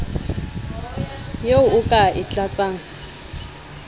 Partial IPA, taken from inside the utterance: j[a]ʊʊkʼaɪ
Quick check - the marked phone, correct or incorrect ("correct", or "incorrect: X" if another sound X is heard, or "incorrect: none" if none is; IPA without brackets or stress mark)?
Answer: incorrect: e